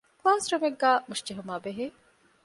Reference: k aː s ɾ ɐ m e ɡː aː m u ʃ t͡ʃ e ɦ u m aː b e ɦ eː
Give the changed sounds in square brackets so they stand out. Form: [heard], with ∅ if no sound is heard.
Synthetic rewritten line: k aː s ɾ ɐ m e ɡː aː m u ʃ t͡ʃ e ɦ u m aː b e ɦ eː

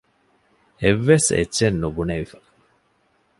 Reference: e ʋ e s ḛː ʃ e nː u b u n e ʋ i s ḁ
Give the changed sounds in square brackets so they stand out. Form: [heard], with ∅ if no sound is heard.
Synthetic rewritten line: e [ʋː] e s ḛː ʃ e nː u b u n e ʋ i [f] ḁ

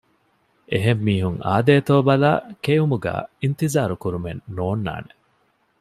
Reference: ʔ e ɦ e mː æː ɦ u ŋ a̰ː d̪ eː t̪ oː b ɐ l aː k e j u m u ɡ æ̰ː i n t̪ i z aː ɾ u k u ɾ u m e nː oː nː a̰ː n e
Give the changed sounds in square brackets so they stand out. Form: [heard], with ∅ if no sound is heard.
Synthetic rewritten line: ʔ e ɦ e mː [iː] ɦ u ŋ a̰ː d̪ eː t̪ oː b ɐ l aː k e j u m u ɡ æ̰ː i n t̪ i z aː ɾ u k u ɾ u m e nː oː nː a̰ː n e

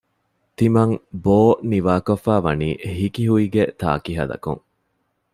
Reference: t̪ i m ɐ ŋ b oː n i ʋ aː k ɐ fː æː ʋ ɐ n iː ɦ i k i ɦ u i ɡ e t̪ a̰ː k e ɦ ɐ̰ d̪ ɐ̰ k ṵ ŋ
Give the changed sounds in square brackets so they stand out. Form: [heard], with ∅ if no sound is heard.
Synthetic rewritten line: t̪ i m ɐ ŋ b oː n i ʋ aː k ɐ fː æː ʋ ɐ n iː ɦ i k i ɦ u i ɡ e t̪ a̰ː k [i] ɦ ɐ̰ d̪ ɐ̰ k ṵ ŋ

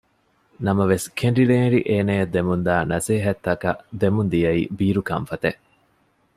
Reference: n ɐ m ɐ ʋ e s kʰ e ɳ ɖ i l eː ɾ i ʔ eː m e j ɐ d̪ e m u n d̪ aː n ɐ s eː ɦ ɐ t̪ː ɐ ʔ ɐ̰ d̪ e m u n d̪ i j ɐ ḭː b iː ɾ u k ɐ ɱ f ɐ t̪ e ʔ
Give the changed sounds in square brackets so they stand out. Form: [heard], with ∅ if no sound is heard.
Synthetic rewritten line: n ɐ m ɐ ʋ e s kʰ e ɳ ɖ i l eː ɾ i ʔ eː [n] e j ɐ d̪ e m u n d̪ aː n ɐ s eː ɦ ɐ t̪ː ɐ [k] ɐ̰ d̪ e m u n d̪ i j ɐ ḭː b iː ɾ u k ɐ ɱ f ɐ t̪ e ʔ

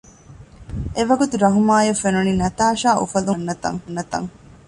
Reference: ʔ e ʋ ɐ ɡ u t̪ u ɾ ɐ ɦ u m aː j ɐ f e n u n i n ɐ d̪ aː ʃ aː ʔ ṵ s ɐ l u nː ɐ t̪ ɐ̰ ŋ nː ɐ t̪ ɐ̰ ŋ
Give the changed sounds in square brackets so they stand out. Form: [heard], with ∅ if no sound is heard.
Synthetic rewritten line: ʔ e ʋ ɐ ɡ u t̪ u ɾ ɐ ɦ u m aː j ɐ f e n u n i n ɐ [t̪] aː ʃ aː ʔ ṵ [f] ɐ l u nː ɐ t̪ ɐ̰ ŋ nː ɐ t̪ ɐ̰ ŋ

